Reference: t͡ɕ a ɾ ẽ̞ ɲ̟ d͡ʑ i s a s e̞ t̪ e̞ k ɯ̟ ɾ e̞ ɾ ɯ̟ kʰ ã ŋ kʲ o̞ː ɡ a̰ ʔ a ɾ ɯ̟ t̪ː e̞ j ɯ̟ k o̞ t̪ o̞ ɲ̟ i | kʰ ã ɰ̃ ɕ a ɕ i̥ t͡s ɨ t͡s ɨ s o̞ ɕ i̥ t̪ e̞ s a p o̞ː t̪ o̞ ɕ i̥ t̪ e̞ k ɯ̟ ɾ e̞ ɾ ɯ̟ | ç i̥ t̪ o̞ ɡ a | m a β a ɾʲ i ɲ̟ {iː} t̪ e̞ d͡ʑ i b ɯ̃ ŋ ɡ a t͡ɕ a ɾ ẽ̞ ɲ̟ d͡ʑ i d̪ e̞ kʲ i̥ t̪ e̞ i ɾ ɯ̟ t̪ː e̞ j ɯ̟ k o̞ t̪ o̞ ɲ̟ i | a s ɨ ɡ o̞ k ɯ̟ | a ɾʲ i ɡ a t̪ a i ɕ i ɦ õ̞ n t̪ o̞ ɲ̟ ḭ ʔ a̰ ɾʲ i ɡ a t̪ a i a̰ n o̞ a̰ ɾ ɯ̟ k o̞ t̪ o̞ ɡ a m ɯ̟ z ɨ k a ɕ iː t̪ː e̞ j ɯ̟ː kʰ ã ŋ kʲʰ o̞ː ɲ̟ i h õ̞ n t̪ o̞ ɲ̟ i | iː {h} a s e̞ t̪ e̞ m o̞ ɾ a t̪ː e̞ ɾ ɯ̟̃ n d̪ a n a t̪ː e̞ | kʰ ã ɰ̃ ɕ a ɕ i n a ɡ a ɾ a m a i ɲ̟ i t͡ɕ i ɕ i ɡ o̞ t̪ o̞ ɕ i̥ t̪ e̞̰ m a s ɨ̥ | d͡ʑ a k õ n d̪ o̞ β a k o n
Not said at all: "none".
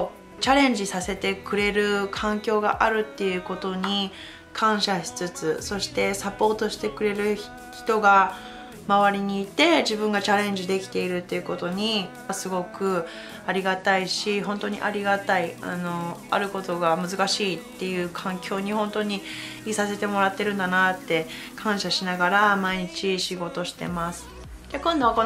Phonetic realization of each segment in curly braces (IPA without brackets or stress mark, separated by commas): iː, s